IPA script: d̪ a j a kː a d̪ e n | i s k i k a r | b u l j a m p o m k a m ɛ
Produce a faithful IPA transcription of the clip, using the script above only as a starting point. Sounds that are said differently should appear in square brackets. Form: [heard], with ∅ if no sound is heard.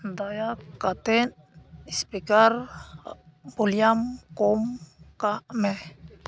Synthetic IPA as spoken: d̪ a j a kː a [t̪] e n | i s [p] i k a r | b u l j a m [k] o m k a m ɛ